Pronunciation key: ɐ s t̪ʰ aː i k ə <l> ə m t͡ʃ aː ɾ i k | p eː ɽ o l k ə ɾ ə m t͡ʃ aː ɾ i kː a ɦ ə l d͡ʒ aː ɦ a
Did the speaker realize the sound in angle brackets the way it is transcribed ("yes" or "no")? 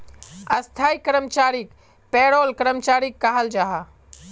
no